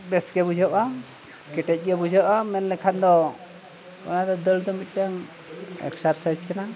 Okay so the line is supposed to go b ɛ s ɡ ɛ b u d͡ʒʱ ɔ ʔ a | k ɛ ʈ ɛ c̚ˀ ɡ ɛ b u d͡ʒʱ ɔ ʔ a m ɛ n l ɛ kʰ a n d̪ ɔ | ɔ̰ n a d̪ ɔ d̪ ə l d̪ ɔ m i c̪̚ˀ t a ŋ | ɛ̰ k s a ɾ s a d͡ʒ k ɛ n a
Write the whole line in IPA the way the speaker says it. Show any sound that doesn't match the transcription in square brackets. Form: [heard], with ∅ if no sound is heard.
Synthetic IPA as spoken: b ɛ s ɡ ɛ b u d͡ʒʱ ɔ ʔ a | k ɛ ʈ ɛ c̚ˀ ɡ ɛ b u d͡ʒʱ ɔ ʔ a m ɛ n l ɛ kʰ a n d̪ ɔ | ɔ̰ n a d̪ ɔ d̪ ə l d̪ ɔ m i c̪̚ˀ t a ŋ | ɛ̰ k s a ɾ s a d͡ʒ k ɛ n a